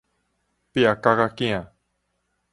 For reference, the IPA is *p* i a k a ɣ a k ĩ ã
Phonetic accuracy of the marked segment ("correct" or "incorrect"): correct